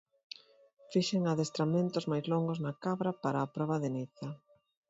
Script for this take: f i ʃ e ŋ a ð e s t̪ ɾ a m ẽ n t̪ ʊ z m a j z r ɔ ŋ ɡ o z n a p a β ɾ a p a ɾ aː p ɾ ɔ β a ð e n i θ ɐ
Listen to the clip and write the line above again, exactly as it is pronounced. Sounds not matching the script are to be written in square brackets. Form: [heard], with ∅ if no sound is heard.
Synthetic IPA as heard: f i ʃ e ŋ a ð e s t̪ ɾ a m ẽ n t̪ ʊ z m a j z [l] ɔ ŋ ɡ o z n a [k] a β ɾ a p a ɾ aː p ɾ ɔ β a ð e n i θ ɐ